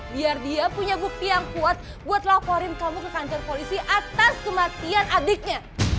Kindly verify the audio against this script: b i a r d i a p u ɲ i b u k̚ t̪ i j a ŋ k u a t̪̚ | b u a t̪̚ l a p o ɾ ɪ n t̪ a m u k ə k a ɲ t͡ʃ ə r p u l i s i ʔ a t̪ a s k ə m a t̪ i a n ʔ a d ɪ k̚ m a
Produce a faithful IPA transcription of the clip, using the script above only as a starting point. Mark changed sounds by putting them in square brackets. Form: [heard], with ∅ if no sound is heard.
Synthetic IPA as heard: b i a r d i a p u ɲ [a] b u k̚ t̪ i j a ŋ k u a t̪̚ | b u a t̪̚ l a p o ɾ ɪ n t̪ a m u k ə k a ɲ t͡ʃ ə r p [o] l i s i ʔ a t̪ a s k ə m a t̪ i a n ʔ a d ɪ k̚ [ɲ] a